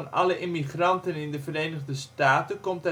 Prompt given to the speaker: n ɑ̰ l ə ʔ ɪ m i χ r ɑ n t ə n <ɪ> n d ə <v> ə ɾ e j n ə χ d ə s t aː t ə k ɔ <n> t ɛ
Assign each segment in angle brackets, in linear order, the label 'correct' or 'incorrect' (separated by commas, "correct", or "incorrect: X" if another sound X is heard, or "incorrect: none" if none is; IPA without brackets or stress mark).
correct, correct, incorrect: m